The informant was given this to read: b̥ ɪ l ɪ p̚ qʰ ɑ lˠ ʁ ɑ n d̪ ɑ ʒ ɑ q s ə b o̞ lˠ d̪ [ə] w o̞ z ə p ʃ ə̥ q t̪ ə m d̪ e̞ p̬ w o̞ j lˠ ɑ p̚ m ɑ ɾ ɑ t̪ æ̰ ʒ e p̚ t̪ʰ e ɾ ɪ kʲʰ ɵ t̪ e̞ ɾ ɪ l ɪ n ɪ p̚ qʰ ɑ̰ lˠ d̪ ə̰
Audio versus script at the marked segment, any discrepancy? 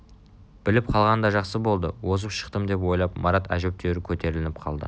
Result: no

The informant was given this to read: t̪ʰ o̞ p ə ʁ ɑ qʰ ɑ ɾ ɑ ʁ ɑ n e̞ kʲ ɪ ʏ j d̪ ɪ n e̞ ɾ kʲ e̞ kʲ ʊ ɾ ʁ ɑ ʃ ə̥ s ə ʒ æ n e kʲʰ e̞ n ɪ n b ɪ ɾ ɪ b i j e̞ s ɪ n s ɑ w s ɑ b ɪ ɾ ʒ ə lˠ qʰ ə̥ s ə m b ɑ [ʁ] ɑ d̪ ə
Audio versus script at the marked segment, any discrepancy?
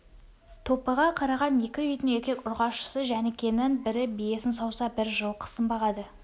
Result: no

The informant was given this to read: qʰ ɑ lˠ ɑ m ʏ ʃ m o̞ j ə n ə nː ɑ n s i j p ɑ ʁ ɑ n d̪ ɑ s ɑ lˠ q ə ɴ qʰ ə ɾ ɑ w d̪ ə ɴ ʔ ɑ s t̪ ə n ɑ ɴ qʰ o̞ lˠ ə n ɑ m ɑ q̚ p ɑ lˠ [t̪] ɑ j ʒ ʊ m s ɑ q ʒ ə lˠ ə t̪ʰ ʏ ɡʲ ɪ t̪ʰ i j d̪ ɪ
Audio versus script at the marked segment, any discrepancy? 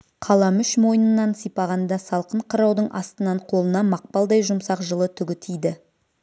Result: yes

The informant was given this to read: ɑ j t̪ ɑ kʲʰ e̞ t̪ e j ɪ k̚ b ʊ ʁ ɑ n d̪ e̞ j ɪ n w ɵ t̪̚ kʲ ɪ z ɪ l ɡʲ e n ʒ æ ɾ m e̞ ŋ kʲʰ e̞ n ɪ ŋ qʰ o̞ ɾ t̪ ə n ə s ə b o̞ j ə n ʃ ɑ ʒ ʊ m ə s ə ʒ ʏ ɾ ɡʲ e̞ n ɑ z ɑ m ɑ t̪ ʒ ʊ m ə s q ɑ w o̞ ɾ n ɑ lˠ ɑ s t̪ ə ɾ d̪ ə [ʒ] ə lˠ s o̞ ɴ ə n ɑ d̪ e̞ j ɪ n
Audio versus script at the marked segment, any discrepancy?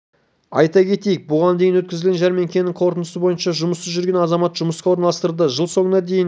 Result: no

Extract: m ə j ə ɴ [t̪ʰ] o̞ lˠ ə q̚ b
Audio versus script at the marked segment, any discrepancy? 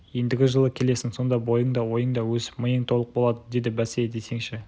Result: no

